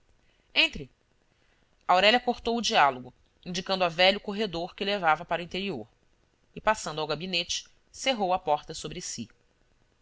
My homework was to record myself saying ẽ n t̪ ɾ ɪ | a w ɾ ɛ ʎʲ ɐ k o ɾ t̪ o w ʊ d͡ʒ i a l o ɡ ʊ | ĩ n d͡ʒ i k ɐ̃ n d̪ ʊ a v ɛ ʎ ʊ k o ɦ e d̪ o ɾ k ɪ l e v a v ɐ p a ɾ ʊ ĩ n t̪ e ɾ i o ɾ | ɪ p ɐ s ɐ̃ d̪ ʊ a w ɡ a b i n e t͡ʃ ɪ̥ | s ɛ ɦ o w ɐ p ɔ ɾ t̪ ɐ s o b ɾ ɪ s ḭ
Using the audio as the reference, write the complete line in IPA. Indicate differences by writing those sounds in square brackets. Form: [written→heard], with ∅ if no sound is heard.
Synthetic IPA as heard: ẽ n t̪ ɾ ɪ | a w ɾ ɛ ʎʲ ɐ k o ɾ t̪ o w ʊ d͡ʒ i a l o ɡ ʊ | ĩ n d͡ʒ i k ɐ̃ n d̪ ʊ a v ɛ ʎ ʊ k o ɦ e d̪ o ɾ k ɪ l e v a v ɐ p a ɾ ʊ ĩ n t̪ e ɾ i o ɾ | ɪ p [ɐ→a] s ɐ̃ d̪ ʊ a w ɡ a b i n e t͡ʃ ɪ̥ | s [ɛ→e] ɦ o w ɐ p ɔ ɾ t̪ ɐ s o b ɾ ɪ s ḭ